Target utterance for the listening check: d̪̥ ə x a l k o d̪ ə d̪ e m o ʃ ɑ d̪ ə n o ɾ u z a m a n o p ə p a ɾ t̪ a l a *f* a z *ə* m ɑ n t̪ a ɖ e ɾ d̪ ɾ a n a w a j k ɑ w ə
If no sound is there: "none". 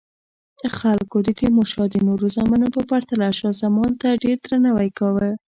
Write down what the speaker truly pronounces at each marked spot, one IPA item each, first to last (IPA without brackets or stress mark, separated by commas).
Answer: ʃ, a